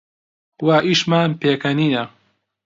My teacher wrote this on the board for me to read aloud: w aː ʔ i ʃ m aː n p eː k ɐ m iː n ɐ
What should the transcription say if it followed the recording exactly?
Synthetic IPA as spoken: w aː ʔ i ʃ m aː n p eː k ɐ n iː n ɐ